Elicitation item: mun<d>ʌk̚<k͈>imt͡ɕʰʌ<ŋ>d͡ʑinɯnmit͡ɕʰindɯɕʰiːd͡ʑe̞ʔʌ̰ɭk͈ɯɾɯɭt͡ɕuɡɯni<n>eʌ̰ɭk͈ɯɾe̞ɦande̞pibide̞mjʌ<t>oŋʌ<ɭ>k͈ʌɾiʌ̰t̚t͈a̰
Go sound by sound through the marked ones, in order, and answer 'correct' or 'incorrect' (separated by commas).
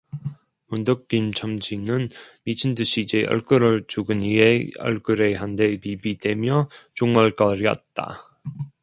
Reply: correct, correct, incorrect, incorrect, incorrect, correct